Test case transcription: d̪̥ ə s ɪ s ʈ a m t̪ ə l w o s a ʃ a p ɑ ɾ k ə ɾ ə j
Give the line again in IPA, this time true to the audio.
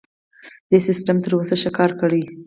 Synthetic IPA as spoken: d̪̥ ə s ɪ s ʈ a m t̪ ə ɾ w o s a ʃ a k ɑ ɾ k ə ɽ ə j